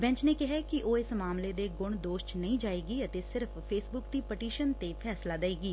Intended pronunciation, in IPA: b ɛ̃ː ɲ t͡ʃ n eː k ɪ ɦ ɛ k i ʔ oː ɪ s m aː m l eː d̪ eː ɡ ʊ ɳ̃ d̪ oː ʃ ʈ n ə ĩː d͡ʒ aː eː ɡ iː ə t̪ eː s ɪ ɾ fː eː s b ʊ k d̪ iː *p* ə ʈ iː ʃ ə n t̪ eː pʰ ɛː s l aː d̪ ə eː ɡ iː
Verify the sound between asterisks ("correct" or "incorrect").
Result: correct